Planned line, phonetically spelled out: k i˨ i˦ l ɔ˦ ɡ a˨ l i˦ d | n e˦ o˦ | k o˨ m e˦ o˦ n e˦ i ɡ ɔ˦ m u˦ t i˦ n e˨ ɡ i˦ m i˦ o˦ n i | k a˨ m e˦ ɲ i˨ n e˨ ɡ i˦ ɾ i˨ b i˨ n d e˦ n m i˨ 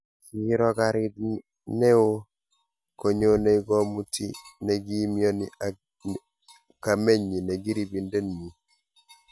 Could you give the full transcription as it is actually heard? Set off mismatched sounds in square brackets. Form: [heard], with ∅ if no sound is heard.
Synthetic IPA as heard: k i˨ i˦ [ɾ] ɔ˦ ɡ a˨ [ɾ] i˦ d | n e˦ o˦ | k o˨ [ɲ] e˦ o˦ n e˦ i ɡ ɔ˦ m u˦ t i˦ n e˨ ɡ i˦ m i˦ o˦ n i | k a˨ m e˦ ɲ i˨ n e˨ ɡ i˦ ɾ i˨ b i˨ n d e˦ n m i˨